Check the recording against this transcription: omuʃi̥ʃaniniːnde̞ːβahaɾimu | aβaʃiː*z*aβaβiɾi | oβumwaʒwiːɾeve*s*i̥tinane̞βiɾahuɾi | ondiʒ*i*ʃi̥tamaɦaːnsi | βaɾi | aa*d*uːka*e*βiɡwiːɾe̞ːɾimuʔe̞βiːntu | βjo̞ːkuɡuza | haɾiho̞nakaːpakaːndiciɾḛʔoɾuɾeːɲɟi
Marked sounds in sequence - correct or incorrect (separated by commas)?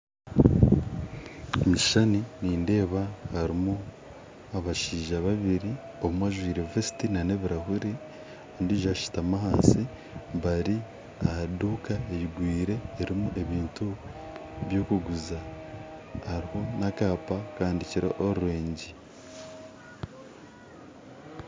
incorrect, correct, incorrect, correct, correct